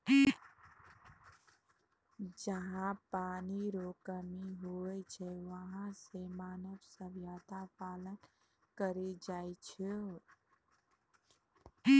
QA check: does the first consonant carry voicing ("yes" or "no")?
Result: yes